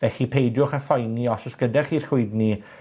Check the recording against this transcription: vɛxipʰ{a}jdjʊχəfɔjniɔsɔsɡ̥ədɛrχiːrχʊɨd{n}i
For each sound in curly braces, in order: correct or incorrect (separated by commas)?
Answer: incorrect, correct